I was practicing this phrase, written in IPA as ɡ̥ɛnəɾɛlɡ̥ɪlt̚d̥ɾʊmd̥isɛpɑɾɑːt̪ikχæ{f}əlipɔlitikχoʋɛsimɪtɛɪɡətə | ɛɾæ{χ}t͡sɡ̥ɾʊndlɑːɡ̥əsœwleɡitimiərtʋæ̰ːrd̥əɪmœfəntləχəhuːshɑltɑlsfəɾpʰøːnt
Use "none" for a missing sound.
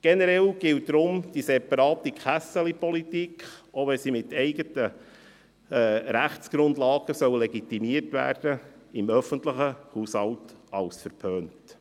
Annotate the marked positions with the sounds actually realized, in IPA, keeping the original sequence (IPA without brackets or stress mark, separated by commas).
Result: s, χ